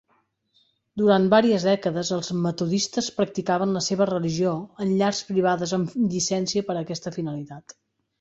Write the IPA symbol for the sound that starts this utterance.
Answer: d̪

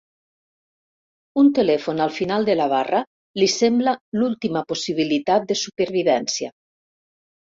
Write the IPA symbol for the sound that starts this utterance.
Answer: u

